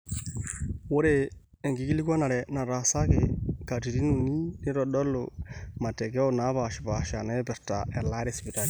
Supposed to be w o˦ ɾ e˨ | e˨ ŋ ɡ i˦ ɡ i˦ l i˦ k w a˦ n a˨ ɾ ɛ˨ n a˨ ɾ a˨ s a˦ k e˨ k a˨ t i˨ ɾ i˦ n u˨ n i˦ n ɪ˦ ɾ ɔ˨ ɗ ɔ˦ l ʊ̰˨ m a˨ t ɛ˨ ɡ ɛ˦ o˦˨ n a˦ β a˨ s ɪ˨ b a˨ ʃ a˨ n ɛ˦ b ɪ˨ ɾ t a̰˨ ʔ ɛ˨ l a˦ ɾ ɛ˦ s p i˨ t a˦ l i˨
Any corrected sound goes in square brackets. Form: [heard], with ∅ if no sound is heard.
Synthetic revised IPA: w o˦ ɾ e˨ | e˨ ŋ ɡ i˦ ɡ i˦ l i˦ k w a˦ n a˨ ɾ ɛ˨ n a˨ ɾ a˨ s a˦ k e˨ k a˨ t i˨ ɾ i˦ n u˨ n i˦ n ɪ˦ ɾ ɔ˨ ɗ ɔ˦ l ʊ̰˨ m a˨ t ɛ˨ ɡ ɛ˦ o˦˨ n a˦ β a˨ [ʃ] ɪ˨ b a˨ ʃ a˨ n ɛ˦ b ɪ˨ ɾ t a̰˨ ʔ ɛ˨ l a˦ ɾ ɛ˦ s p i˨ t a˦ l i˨